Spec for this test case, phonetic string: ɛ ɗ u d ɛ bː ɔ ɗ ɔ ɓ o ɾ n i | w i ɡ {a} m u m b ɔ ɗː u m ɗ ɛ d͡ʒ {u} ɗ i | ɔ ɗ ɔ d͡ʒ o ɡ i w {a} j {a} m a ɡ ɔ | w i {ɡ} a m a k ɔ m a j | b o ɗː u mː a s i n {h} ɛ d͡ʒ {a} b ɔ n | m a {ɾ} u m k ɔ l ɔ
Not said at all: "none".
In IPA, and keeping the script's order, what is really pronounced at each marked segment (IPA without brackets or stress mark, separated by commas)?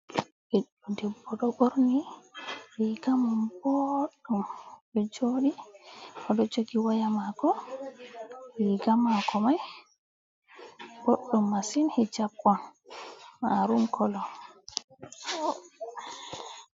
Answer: a, o, a, a, ɡ, h, a, ɾ